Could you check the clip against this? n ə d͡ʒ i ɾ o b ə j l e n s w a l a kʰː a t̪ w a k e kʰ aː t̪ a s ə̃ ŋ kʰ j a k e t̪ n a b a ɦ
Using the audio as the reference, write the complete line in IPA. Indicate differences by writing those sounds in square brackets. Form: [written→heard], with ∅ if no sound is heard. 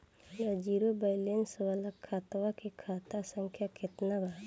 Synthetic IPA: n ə d͡ʒ i ɾ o b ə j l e n s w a l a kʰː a t̪ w a k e kʰ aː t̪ a s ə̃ ŋ kʰ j a k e t̪ n a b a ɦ